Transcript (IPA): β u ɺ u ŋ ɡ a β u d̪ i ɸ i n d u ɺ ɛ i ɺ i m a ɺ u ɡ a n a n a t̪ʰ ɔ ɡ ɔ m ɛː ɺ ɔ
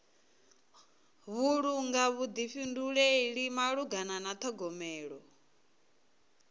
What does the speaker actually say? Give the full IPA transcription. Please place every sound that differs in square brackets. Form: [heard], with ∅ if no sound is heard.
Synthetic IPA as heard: β u ɺ u ŋ ɡ a β u d̪ i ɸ i n d u ɺ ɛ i ɺ i m a ɺ u ɡ a n a n a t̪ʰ ɔ ɡ ɔ m ɛː ɺ ɔ